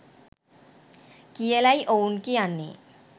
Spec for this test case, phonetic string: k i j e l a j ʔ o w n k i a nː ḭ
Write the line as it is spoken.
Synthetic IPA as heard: k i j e l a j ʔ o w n k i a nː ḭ